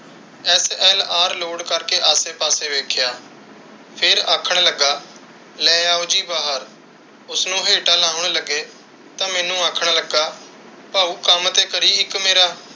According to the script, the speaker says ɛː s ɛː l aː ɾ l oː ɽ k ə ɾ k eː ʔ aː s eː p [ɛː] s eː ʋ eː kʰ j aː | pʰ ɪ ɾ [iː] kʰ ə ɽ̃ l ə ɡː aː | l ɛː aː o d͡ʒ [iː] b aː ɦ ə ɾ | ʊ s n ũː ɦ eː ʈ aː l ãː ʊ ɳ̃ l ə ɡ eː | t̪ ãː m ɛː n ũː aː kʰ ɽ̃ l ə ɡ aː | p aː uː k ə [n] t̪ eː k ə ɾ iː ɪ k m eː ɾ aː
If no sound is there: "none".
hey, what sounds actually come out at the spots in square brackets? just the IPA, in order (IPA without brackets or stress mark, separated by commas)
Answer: aː, aː, iː, m